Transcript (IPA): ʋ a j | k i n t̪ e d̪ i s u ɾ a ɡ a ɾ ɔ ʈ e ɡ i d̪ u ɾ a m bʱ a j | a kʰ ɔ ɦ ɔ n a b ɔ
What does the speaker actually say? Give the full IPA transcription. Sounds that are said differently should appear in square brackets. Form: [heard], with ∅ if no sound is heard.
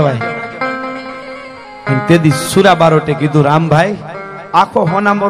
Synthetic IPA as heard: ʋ a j | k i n t̪ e d̪ i s u ɾ a [b] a ɾ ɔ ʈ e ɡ i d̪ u ɾ a m bʱ a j | a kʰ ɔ ɦ ɔ n a [m] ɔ